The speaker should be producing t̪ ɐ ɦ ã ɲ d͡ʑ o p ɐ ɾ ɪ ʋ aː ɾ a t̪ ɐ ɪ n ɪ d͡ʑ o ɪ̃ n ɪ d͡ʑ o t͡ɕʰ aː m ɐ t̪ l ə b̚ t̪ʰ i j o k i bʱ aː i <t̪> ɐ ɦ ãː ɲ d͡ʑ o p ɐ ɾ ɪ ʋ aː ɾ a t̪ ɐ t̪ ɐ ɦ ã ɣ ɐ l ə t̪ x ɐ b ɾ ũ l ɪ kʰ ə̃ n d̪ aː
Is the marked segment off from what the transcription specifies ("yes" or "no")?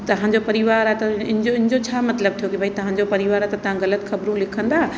no